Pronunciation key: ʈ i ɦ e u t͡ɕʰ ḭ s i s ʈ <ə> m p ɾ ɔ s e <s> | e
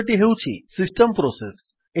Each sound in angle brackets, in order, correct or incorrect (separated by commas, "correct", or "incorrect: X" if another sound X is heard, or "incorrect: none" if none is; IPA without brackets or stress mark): correct, correct